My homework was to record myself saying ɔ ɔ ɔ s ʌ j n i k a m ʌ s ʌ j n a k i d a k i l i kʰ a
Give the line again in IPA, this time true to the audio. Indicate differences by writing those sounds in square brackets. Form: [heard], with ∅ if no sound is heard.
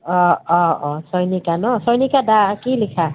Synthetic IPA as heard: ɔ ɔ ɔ s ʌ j n i k a [n] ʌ s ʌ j n [i] k [a] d a k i l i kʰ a